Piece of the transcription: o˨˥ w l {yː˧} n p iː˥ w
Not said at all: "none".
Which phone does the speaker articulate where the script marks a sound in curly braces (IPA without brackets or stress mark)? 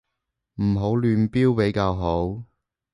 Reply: yː˧